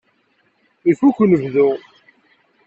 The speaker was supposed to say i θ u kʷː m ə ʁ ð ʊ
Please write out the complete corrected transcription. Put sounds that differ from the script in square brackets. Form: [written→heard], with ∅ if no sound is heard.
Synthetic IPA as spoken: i [θ→f] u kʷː [m→n] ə [ʁ→v] ð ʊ